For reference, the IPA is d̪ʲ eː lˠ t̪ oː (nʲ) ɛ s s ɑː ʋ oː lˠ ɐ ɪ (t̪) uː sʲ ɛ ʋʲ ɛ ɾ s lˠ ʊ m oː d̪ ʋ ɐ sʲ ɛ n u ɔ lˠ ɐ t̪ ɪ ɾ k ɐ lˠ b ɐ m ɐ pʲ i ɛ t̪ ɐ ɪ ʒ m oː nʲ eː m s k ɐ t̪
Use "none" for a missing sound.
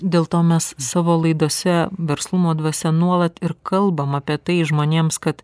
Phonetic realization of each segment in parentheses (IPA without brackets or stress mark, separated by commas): mʲ, d̪